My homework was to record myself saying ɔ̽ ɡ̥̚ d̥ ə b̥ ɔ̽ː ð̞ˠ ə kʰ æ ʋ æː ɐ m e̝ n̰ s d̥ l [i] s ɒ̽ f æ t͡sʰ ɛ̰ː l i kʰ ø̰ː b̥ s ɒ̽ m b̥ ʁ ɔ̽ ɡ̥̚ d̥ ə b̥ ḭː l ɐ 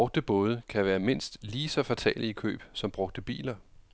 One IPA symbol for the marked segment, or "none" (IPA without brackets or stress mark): iː